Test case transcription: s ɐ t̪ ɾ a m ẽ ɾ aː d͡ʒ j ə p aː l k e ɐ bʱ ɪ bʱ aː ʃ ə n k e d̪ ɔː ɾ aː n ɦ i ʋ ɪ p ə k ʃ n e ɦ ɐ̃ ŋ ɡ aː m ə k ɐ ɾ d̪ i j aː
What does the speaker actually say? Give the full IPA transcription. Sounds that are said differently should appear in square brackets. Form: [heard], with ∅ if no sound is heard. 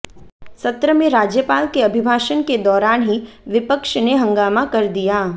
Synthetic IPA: s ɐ t̪ ɾ [ə] m ẽ ɾ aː d͡ʒ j ə p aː l k e ɐ bʱ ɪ bʱ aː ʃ ə n k e d̪ ɔː ɾ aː n ɦ i ʋ ɪ p ə k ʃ n e ɦ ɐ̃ ŋ ɡ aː m [a] k ɐ ɾ d̪ i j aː